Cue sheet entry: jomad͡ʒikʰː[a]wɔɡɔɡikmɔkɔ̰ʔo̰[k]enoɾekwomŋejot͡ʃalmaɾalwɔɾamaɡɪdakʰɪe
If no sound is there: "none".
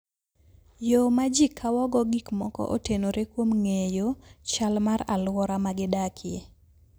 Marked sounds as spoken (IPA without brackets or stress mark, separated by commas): a, t